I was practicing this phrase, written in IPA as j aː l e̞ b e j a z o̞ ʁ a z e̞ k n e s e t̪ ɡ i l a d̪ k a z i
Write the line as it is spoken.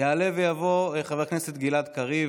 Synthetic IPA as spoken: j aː l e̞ v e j a v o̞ χ a v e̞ k n e s e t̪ ɡ i l a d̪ k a ʁ i